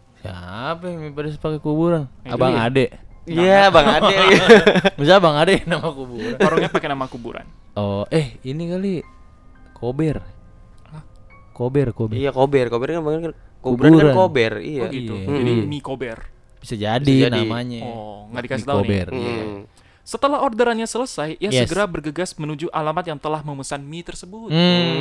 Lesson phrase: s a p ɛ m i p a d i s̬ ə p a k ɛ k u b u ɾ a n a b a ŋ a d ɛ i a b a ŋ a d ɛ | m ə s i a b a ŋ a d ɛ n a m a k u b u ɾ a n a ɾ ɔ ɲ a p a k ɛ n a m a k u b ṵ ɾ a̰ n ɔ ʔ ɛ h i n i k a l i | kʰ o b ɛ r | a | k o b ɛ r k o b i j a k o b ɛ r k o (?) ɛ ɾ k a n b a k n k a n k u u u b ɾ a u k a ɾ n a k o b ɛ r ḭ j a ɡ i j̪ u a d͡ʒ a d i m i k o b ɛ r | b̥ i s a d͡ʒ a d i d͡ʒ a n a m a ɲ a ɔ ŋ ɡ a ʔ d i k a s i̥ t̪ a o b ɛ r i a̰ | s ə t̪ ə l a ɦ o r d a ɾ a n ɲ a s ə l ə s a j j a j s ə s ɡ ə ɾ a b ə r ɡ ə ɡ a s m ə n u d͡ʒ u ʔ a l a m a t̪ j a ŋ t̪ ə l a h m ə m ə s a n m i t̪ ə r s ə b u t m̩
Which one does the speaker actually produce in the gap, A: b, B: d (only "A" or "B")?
A